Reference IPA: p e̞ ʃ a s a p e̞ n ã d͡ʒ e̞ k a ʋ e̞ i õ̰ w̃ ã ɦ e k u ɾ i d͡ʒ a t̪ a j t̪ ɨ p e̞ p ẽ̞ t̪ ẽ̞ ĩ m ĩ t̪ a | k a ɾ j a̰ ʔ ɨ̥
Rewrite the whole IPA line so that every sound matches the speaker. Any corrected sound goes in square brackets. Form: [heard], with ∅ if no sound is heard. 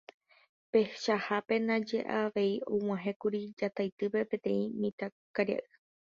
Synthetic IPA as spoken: p e̞ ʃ a [h] a p e̞ n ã d͡ʒ e̞ [ʔ] a ʋ e̞ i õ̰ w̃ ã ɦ e k u ɾ i d͡ʒ a t̪ a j t̪ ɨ p e̞ p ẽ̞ t̪ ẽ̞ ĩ m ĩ t̪ a | k a ɾ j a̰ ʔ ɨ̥